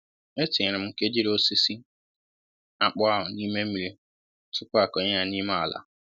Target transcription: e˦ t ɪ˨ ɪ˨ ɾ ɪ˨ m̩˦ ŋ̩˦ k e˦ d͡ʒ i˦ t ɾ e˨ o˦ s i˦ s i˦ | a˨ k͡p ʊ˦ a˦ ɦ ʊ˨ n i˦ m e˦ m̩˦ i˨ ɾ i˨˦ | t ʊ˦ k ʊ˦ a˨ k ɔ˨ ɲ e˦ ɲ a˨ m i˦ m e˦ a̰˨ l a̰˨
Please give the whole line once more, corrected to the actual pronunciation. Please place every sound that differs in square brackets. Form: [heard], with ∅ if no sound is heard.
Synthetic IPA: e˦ t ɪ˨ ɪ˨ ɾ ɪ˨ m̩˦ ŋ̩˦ k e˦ d͡ʒ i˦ [∅] ɾ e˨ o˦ s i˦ s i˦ | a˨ k͡p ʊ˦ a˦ ɦ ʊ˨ n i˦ m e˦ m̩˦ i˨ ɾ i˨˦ | t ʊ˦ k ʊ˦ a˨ k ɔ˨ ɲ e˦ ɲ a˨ [n] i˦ m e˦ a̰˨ l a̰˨